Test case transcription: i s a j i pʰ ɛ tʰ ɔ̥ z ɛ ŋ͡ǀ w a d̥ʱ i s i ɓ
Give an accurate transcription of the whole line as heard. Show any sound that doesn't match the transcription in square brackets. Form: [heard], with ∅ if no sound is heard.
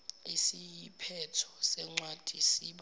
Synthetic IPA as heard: i s [i] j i pʰ ɛ tʰ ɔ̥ [s] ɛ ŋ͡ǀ w a d̥ʱ i s i ɓ

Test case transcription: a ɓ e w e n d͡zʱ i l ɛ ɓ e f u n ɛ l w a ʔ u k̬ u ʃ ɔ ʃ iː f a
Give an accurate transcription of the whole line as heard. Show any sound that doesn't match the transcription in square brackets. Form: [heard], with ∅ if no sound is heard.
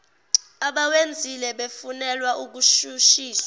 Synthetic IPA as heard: a ɓ [a] w e n d͡zʱ i l ɛ ɓ e f u n ɛ l w a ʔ u k̬ u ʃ [u] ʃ iː [s] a

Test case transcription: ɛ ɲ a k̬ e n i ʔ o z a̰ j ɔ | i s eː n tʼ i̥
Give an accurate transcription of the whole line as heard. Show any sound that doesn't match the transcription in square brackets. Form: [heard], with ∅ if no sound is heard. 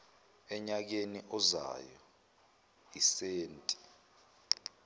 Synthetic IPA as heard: ɛ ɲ a k̬ e n i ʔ [ɔ] z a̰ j ɔ | i s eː n tʼ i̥

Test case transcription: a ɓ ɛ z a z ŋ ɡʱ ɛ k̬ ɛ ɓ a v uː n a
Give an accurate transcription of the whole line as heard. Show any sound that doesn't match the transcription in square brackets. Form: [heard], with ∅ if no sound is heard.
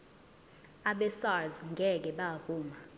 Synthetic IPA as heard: a ɓ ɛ [s] a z ŋ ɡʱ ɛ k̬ ɛ ɓ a v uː [m] a

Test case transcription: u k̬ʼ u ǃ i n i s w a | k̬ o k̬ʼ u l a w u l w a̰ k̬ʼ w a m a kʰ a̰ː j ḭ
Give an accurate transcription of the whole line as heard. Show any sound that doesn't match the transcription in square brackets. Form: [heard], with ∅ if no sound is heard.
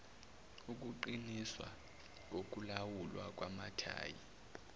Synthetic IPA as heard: u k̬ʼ u ǃ i n i s w a | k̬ o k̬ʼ u l a w u l w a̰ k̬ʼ w a m a [tʰ] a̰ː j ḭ

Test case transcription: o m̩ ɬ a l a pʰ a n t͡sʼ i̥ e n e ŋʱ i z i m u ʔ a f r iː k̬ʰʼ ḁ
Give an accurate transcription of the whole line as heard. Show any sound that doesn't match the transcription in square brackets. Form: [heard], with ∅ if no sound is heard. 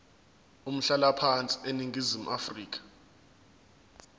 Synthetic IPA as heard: [u] m̩ ɬ a l a pʰ a n t͡sʼ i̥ e n [i] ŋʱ i z i m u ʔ a f r iː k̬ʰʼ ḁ

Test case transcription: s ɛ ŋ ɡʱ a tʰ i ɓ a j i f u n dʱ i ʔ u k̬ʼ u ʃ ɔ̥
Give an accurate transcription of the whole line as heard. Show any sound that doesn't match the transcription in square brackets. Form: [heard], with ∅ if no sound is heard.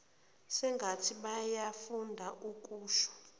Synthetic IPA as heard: s ɛ ŋ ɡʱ a tʰ i ɓ a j [a] f u n dʱ [a] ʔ u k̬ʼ [uː] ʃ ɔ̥

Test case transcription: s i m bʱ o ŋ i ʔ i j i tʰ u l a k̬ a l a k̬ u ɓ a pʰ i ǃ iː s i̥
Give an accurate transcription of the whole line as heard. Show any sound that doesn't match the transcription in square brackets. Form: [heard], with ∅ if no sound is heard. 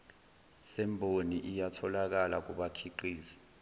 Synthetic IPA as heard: s [ɛ] m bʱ o [n] i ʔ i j [a] tʰ [ɔ] l a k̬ a l a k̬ u ɓ a [kʰ] i ǃ iː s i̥

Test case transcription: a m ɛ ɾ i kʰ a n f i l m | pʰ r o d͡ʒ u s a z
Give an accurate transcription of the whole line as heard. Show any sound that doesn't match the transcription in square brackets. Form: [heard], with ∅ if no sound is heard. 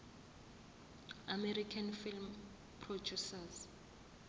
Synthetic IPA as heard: a m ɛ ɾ i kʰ a n f i l m | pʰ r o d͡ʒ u s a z

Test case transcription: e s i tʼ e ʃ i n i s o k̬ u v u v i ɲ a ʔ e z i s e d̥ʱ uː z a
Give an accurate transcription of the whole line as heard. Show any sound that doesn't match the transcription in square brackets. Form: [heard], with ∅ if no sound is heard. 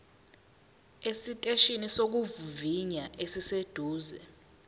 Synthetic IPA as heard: e s i tʼ e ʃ i n i s o k̬ u v u v i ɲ a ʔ e [s] i s e d̥ʱ uː z [ɛ]

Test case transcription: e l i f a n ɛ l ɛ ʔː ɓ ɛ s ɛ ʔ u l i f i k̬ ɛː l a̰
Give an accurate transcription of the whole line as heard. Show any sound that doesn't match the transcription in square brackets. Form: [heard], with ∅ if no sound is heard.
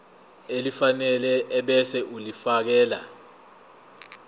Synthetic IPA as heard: e l i f a n ɛ l ɛ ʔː ɓ ɛ s ɛ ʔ u l i f [a] k̬ ɛː l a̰

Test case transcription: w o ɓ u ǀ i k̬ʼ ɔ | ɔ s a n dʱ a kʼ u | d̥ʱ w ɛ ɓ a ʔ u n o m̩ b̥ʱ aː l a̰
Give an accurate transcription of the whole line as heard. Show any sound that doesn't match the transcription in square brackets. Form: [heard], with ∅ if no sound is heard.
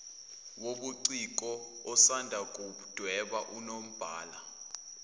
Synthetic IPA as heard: w o ɓ u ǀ i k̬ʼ ɔ | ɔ s a n dʱ a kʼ u | d̥ʱ w ɛ ɓ a ʔ u n o m̩ b̥ʱ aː l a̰

